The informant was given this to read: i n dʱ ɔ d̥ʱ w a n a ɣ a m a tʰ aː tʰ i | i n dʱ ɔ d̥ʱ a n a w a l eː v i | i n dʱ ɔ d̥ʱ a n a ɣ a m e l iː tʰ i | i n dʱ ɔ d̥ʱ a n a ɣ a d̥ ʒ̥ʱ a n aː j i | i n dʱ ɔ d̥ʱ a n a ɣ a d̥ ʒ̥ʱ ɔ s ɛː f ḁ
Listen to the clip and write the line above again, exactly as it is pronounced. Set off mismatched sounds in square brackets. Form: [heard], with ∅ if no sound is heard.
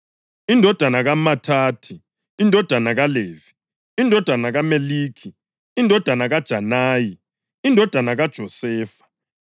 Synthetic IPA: i n dʱ ɔ d̥ʱ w a n a ɣ a m a tʰ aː tʰ i | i n dʱ ɔ d̥ʱ a n a [ɣ] a l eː v i | i n dʱ ɔ d̥ʱ a n a ɣ a m e l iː [kʰ] i | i n dʱ ɔ d̥ʱ a n a ɣ a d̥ ʒ̥ʱ a n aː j i | i n dʱ ɔ d̥ʱ a n a ɣ a d̥ ʒ̥ʱ ɔ s ɛː f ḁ